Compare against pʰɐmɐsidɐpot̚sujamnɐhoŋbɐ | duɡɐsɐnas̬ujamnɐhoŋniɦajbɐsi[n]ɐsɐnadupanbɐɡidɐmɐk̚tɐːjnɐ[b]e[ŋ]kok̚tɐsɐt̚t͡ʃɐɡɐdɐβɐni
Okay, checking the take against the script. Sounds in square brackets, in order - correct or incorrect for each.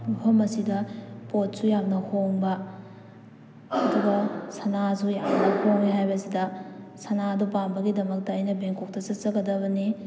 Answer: incorrect: d, correct, correct

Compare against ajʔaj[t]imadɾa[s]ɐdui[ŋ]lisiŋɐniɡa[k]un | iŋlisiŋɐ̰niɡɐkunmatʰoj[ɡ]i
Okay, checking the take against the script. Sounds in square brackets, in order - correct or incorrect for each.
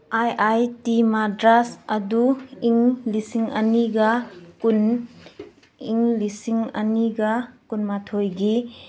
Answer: correct, correct, correct, correct, correct

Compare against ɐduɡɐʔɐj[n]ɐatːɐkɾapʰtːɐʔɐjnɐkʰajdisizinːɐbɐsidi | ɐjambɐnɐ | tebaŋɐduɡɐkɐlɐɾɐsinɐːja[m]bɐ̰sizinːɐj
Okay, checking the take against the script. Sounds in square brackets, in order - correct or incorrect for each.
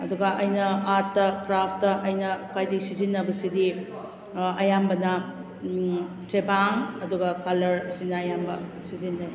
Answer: correct, correct

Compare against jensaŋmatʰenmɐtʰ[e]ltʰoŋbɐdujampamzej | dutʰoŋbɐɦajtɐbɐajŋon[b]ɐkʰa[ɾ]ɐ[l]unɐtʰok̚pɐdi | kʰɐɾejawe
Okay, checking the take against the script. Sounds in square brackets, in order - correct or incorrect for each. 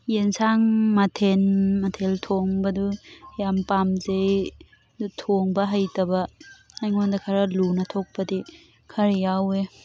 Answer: correct, incorrect: d, correct, correct

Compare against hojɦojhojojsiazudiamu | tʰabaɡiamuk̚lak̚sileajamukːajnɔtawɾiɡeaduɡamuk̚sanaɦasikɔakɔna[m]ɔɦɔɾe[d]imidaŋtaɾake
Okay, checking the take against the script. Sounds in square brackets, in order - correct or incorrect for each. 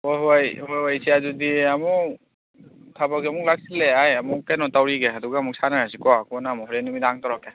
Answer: correct, incorrect: n

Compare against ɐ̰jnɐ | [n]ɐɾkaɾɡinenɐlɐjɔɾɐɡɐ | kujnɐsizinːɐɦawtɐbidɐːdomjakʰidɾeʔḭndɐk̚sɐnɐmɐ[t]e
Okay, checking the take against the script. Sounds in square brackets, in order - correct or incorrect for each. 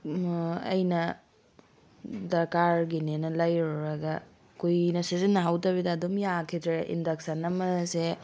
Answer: incorrect: d, incorrect: s

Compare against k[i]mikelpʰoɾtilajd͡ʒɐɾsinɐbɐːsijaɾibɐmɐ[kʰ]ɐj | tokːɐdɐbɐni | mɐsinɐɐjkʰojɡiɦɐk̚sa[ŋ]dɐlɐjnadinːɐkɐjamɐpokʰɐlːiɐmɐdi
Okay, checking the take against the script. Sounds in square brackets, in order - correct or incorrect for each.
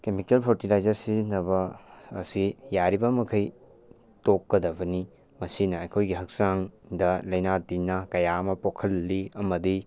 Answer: incorrect: e, correct, correct

